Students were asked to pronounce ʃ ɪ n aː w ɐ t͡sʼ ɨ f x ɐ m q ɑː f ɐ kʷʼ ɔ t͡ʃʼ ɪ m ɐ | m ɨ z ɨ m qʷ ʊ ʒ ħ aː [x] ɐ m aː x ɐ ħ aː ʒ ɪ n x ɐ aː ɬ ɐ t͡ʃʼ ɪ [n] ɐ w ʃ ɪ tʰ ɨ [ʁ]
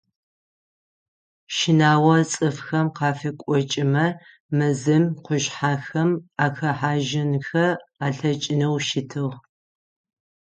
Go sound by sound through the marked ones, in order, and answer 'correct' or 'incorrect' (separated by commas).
correct, correct, correct